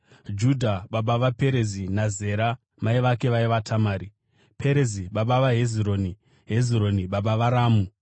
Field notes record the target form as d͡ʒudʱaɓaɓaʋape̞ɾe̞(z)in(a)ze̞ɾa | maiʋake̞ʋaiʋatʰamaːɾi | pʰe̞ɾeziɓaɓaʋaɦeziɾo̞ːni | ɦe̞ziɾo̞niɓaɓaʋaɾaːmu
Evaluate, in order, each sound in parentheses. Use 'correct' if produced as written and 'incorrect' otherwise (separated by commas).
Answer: correct, correct